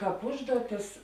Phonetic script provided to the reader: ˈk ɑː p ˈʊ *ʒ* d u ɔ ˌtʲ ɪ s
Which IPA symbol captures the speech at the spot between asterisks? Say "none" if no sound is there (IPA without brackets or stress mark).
ʒ